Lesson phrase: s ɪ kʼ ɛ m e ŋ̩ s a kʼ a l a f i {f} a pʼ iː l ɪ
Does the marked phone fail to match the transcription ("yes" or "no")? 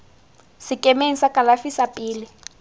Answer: yes